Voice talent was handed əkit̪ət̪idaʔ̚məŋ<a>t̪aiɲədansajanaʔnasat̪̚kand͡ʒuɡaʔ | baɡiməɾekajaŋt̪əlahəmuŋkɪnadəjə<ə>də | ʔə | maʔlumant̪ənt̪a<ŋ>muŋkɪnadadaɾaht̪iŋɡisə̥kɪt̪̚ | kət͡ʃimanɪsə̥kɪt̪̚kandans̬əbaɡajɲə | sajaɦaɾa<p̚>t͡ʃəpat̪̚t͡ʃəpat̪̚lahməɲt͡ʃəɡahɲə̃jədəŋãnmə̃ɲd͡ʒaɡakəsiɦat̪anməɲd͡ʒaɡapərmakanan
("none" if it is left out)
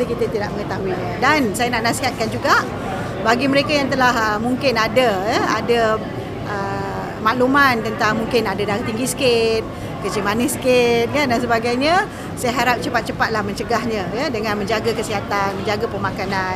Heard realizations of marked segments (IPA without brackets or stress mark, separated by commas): ə, a, ŋ, p̚